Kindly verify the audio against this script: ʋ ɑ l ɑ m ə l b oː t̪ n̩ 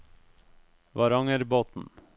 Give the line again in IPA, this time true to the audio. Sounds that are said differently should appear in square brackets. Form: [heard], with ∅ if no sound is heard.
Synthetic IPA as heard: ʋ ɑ [ɾ] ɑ [ŋ] ə [ɾ] b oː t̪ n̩